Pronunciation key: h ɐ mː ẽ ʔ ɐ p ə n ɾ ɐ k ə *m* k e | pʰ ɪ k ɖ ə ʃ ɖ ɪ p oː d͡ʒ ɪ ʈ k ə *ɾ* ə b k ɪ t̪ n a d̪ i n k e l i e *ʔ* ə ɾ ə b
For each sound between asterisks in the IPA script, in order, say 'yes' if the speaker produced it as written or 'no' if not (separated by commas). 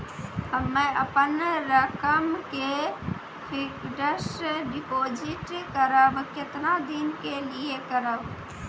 yes, yes, no